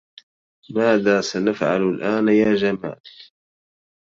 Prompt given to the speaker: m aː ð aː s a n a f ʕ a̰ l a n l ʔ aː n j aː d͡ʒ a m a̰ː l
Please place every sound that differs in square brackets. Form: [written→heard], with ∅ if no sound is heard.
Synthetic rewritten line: m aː ð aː s a n a f ʕ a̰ l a [n→∅] l ʔ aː n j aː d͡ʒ a m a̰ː l

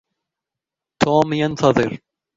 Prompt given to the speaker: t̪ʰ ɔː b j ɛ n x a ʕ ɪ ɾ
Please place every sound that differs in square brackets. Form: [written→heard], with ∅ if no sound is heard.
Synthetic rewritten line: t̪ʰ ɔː [b→m] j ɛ n [x→θ] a [ʕ→ð] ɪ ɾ

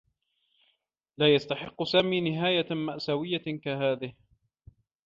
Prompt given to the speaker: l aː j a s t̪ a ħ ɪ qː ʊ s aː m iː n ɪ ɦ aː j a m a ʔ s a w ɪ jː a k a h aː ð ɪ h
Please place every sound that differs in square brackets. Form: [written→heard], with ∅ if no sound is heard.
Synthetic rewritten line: l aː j a s t̪ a ħ ɪ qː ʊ s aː m iː n ɪ ɦ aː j a m a ʔ s a w ɪ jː a k a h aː ð ɪ h

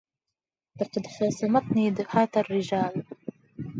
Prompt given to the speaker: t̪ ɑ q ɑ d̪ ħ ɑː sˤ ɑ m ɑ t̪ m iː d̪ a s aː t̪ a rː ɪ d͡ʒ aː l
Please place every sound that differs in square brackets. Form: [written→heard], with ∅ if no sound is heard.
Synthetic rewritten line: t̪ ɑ q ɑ d̪ ħ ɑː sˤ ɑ m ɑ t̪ [m→n] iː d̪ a [s→ħ] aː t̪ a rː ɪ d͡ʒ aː l

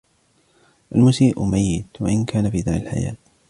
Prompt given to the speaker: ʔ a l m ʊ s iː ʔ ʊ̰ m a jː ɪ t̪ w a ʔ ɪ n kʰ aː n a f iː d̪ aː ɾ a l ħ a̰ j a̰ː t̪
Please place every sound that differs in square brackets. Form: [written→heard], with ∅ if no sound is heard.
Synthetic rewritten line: ʔ a l m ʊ s iː ʔ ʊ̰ m a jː ɪ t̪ w a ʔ ɪ n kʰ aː n a f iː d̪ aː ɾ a l ħ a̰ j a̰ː t̪

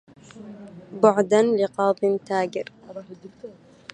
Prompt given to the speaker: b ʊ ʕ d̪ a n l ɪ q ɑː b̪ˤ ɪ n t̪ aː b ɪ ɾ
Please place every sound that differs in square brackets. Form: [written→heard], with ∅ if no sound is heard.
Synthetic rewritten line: b ʊ ʕ d̪ a n l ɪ q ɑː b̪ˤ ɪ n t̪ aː [b→ɡ] ɪ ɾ

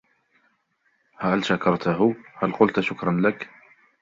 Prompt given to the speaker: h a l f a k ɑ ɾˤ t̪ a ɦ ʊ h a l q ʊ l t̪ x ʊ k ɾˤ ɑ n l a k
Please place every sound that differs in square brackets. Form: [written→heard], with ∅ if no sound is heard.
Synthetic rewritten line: h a l [f→ʃ] a k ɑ ɾˤ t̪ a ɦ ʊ h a l q ʊ l t̪ [x→ʃ] ʊ k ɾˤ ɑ n l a k

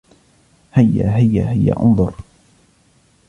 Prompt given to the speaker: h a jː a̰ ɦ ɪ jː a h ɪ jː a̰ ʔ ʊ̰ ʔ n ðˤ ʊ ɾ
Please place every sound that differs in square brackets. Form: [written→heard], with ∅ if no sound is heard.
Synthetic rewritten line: h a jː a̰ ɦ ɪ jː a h ɪ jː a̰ ʔ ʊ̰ [ʔ→∅] n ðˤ ʊ ɾ

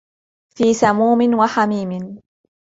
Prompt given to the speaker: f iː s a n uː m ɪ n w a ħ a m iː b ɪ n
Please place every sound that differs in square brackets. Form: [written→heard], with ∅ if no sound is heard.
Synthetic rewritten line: f iː s a [n→m] uː m ɪ n w a ħ a m iː [b→m] ɪ n

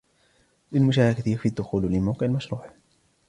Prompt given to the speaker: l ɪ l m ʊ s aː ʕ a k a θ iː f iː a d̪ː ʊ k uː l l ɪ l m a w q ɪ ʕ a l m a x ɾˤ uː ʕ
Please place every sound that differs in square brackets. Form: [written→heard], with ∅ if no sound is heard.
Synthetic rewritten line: l ɪ l m ʊ [s→ʃ] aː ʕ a k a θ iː f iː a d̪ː ʊ [k→x] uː l l ɪ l m a w q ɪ ʕ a l m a [x→ʃ] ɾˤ uː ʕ

